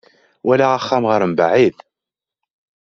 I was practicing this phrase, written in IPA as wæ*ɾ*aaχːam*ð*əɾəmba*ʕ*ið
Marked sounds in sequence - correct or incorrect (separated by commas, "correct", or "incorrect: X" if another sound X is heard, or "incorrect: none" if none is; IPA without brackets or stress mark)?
incorrect: l, incorrect: ʁ, correct